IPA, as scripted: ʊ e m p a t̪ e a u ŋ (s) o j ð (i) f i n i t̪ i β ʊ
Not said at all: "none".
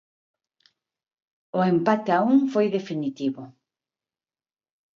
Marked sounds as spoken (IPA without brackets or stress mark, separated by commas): f, e